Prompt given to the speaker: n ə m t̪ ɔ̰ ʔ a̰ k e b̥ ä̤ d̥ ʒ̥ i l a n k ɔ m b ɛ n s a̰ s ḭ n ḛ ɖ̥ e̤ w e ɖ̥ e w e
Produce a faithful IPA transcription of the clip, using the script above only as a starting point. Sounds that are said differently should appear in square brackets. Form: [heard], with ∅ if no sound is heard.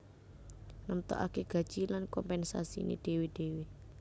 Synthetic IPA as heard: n ə m t̪ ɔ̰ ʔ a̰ k e [ɡ̥] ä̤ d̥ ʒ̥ i l a n k ɔ m [p] ɛ n s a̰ s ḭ n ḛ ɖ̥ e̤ w e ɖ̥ e w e